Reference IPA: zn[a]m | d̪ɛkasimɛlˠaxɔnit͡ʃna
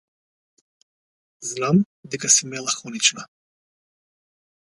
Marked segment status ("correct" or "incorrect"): correct